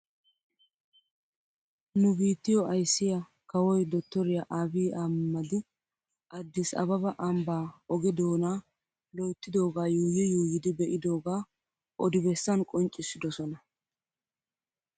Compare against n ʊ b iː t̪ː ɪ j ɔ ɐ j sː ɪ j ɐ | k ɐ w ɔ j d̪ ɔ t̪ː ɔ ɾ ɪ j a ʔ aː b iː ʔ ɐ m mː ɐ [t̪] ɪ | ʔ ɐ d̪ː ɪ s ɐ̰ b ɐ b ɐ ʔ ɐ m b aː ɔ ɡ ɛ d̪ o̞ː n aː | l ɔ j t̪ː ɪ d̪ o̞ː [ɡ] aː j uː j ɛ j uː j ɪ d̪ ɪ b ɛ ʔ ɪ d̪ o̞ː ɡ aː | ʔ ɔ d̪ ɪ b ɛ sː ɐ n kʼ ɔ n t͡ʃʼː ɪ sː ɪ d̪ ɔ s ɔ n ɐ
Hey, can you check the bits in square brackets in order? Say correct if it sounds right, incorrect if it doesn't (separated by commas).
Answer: incorrect, correct